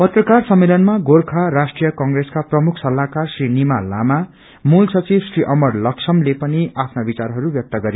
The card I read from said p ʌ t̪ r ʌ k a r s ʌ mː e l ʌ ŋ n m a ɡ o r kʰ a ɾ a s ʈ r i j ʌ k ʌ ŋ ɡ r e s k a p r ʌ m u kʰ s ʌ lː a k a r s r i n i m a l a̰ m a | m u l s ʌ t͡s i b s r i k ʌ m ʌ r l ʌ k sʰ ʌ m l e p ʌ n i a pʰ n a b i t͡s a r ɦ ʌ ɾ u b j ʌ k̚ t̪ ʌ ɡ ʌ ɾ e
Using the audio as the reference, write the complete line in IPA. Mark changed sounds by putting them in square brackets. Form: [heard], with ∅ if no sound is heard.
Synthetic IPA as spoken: p ʌ t̪ r ʌ k a r s ʌ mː e l ʌ [∅] n m a ɡ o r kʰ a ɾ a s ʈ r i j ʌ k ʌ ŋ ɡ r e s k a p r ʌ m u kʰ s ʌ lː a k a r s r i n i m a l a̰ m a | m u l s ʌ t͡s i b s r i [ʔ] ʌ m ʌ r l ʌ k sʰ ʌ m l e p ʌ n i a pʰ n a b i t͡s a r ɦ ʌ ɾ u b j ʌ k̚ t̪ ʌ ɡ ʌ ɾ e